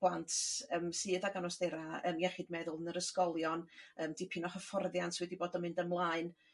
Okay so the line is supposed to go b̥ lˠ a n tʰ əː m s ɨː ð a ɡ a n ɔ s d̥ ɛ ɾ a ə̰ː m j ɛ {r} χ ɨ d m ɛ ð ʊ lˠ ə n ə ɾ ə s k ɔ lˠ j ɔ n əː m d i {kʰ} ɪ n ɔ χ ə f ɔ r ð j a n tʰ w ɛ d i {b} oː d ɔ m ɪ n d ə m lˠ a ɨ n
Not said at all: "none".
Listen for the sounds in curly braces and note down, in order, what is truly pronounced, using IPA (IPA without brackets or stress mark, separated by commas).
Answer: none, pʰ, b